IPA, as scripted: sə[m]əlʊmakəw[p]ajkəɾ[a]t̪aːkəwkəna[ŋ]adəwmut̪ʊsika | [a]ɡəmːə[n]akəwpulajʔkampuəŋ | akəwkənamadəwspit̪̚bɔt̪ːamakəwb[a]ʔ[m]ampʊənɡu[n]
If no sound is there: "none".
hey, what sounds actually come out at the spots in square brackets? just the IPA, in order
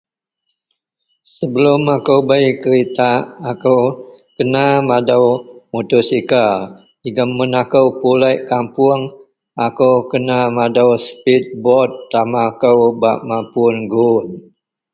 b, b, i, m, i, n, a, m, n

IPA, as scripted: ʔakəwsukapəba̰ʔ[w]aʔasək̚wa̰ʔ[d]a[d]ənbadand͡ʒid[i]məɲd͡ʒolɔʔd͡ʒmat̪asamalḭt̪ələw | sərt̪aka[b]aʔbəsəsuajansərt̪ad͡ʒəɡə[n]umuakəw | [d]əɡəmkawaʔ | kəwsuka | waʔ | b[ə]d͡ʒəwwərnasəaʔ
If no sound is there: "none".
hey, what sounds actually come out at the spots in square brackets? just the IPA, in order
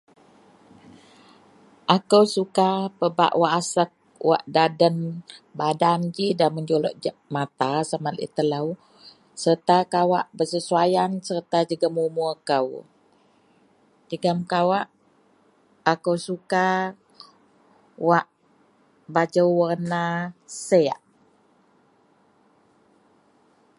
w, d, d, a, w, m, d͡ʒ, a

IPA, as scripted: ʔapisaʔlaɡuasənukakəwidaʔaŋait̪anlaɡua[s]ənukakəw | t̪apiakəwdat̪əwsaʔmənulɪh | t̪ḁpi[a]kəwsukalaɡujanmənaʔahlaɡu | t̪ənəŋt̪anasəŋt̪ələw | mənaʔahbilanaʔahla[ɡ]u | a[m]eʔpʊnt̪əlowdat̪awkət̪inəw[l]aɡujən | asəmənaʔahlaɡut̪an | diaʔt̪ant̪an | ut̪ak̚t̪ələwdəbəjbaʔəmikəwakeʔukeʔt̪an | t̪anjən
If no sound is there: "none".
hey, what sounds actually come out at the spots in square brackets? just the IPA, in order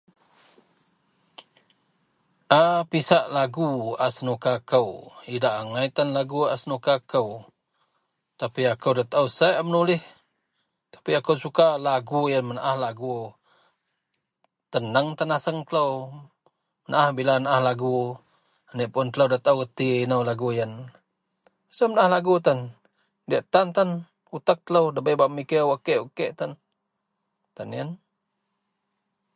s, a, ɡ, n, l

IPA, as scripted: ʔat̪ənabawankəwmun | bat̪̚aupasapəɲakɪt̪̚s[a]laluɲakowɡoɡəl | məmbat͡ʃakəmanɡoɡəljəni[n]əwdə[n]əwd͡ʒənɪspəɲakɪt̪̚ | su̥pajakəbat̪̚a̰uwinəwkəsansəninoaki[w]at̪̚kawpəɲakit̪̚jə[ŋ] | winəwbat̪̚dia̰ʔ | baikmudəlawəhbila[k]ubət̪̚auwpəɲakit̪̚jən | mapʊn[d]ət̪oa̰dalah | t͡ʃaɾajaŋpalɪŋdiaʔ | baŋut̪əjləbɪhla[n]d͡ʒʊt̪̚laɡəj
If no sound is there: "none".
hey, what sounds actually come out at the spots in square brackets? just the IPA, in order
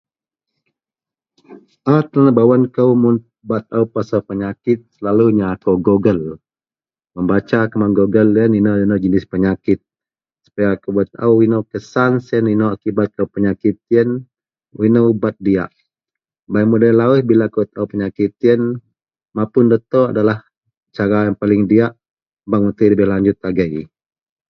ə, n, n, b, n, k, d, ɲ

